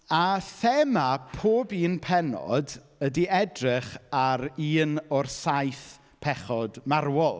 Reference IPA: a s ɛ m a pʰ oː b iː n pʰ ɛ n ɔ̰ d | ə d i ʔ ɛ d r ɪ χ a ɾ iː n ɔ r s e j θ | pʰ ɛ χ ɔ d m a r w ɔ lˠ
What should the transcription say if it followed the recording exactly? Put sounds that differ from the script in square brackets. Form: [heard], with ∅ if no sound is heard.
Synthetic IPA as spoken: a [θ] ɛ m a pʰ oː b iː n pʰ ɛ n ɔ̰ d | ə d i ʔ ɛ d r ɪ χ a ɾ iː n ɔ r s [a] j θ | pʰ ɛ χ ɔ d m a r w ɔ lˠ